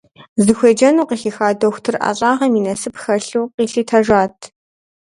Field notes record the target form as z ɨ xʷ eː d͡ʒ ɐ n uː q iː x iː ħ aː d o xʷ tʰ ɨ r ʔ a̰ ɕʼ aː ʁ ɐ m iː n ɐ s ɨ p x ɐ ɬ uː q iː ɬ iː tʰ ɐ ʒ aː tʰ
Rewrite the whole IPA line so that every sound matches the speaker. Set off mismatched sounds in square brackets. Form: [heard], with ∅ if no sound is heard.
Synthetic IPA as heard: z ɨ xʷ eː d͡ʒ ɐ n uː q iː x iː [x] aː d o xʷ tʰ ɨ r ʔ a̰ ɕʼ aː ʁ ɐ m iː n ɐ s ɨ p x ɐ ɬ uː q iː ɬ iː tʰ ɐ ʒ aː tʰ